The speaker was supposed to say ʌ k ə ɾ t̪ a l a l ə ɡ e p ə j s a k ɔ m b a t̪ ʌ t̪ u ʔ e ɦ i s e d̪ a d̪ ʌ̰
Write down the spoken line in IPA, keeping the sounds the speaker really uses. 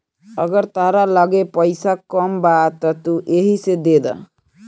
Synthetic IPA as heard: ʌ ɡ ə ɾ t̪ a ɾ a l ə ɡ e p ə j s a k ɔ m b a t̪ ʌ t̪ u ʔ e ɦ i s e d̪ e d̪ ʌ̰